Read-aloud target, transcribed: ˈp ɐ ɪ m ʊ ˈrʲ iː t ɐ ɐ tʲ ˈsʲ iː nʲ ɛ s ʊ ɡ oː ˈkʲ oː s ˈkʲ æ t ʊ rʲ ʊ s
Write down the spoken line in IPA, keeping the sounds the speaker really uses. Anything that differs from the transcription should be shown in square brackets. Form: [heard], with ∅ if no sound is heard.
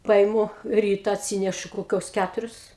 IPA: ˈp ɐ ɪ m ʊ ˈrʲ iː t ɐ ɐ tʲ ˈsʲ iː nʲ ɛ [ʃ] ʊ [k] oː ˈkʲ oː s ˈkʲ æ t ʊ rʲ ʊ s